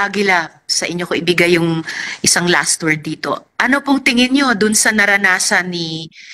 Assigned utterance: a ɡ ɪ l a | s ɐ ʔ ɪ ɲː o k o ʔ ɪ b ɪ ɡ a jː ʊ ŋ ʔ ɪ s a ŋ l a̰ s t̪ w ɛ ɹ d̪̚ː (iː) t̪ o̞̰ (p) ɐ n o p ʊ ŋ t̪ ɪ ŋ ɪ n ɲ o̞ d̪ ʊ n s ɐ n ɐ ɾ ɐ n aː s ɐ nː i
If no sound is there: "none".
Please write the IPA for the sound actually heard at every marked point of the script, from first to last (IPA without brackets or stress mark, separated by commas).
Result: iː, ʔ